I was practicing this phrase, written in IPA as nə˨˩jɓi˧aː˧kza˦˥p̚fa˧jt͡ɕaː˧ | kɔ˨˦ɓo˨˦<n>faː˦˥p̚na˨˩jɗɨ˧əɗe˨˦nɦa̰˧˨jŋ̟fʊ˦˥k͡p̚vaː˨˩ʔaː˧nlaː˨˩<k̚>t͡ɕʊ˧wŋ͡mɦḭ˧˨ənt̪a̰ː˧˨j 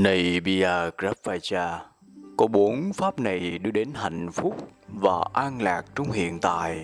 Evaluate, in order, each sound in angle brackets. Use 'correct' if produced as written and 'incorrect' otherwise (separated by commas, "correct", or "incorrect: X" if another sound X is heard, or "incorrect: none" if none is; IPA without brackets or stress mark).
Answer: correct, correct